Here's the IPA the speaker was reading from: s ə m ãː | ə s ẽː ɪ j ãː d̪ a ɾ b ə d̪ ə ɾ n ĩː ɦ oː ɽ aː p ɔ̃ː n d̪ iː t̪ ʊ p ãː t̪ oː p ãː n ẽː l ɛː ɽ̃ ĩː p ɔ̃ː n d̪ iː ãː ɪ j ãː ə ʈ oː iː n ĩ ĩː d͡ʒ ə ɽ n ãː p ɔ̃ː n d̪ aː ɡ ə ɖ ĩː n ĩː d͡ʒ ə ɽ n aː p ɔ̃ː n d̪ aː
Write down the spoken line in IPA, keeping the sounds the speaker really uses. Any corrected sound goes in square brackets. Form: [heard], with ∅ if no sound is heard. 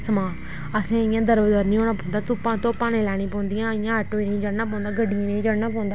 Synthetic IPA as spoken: s ə m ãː | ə s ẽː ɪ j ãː d̪ [ə] ɾ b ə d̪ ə ɾ n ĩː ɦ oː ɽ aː p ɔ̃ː n d̪ [aː] t̪ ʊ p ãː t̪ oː p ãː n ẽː l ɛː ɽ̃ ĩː p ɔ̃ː n d̪ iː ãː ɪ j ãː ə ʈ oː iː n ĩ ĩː d͡ʒ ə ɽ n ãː p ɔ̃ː n d̪ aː ɡ ə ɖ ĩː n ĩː d͡ʒ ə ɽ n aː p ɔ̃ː n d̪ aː